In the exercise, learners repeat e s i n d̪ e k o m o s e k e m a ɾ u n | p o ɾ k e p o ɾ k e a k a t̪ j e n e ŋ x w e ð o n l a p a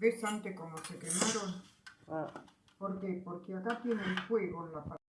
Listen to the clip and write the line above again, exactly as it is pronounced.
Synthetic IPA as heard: e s a n t̪ e k o m o s e k e m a ɾ o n | p o ɾ k e p o ɾ k e a k a t̪ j e n e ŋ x w e ɣ o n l a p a